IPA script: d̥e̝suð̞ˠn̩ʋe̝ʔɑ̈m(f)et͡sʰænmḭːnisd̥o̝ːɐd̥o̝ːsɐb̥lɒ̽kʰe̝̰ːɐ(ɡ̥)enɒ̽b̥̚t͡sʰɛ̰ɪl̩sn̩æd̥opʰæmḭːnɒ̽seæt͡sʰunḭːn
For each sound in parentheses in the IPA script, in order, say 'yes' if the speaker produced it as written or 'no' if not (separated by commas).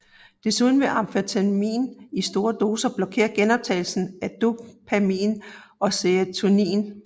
yes, yes